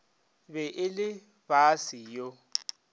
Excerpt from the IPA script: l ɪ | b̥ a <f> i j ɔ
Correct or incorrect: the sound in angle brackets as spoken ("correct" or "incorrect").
incorrect